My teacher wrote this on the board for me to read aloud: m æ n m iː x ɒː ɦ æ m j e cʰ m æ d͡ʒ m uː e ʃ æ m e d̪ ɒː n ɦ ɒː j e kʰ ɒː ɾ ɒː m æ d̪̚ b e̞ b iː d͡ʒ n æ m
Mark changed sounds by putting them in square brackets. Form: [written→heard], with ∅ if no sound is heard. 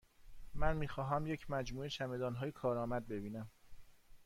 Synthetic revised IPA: m æ n m iː x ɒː ɦ æ m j e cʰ m æ d͡ʒ m uː e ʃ æ m e d̪ ɒː n ɦ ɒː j e kʰ ɒː ɾ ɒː m æ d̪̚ b e̞ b iː [d͡ʒ→∅] n æ m

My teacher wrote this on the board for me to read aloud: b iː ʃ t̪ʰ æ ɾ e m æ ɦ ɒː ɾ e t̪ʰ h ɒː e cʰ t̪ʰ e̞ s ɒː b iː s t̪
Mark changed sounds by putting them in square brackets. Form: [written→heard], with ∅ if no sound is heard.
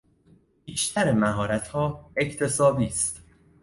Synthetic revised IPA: b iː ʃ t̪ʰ æ ɾ e m æ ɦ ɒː ɾ [e→æ] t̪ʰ h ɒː e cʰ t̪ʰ e̞ s ɒː b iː s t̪

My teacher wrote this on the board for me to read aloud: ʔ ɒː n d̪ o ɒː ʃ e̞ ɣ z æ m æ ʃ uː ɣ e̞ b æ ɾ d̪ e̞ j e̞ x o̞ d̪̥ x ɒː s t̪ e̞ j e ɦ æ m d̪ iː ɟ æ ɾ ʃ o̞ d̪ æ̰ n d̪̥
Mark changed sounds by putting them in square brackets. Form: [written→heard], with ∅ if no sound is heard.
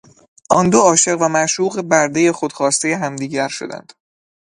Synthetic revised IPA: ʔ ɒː n d̪ o ɒː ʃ e̞ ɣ [z→v] æ m æ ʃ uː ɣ e̞ b æ ɾ d̪ e̞ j e̞ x o̞ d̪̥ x ɒː s t̪ e̞ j e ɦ æ m d̪ iː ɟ æ ɾ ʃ o̞ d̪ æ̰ n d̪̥

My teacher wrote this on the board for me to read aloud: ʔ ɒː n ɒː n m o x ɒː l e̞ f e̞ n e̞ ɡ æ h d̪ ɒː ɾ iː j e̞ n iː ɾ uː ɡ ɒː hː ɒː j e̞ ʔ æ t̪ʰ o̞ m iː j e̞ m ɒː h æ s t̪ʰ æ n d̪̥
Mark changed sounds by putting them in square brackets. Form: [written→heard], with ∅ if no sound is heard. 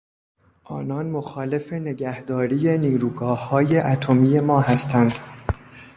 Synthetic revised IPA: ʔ ɒː n ɒː n m o x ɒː l e̞ f e̞ n e̞ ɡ æ h d̪ ɒː ɾ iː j e̞ n iː ɾ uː ɡ ɒː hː ɒː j e̞ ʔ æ t̪ʰ o̞ m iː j e̞ m ɒː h æ s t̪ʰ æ n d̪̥

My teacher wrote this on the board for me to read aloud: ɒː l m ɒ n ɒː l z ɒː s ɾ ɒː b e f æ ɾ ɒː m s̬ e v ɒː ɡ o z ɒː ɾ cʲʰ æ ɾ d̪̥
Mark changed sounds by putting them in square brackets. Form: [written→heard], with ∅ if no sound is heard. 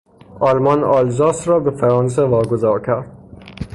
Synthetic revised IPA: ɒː l m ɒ n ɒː l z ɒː s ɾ ɒː b e f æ ɾ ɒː [m→n] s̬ e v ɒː ɡ o z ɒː ɾ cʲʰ æ ɾ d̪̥

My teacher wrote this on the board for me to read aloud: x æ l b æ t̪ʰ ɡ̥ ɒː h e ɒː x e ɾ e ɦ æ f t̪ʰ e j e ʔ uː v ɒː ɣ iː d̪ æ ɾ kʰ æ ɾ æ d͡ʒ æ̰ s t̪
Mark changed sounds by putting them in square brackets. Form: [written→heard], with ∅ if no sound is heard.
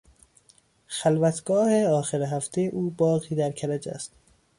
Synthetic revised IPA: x æ l [b→v] æ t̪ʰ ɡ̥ ɒː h e ɒː x e ɾ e ɦ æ f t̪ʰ e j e ʔ uː [v→b] ɒː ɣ iː d̪ æ ɾ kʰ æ ɾ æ d͡ʒ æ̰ s t̪

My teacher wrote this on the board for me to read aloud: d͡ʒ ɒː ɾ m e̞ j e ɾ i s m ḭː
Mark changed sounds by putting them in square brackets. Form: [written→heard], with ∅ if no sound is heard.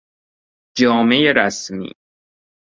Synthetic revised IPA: d͡ʒ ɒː [ɾ→∅] m e̞ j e ɾ [i→æ] s m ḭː

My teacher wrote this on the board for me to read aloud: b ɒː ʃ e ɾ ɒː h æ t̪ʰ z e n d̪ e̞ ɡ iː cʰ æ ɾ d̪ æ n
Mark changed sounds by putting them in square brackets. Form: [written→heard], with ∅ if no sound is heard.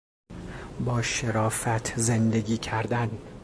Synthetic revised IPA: b ɒː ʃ e ɾ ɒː [h→f] æ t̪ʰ z e n d̪ e̞ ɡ iː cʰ æ ɾ d̪ æ n

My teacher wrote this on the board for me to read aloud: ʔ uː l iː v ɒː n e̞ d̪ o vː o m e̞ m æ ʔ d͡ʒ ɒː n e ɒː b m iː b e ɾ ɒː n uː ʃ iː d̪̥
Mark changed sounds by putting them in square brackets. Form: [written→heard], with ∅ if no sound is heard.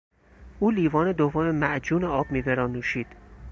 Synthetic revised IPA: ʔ uː l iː v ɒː n e̞ d̪ o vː o m e̞ m æ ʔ d͡ʒ [ɒː→uː] n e ɒː b m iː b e ɾ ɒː n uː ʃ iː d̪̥

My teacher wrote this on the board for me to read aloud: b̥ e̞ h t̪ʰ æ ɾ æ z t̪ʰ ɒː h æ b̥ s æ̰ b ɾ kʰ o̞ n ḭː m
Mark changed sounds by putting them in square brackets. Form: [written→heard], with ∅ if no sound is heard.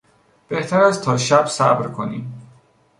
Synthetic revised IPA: b̥ e̞ h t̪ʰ æ ɾ æ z t̪ʰ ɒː [h→ʃ] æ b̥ s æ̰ b ɾ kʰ o̞ n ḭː m

